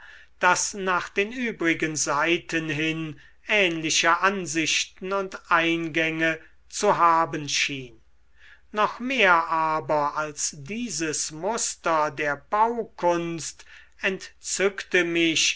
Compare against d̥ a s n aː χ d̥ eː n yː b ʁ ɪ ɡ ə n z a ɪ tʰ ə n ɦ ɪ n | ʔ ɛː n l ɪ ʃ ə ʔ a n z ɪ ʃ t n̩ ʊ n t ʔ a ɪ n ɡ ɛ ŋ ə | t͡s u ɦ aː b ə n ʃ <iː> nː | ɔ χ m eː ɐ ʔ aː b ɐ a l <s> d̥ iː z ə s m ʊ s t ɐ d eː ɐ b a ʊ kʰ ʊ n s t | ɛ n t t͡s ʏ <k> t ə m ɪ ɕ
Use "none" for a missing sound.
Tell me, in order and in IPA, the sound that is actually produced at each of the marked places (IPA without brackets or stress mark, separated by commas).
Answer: iː, s, k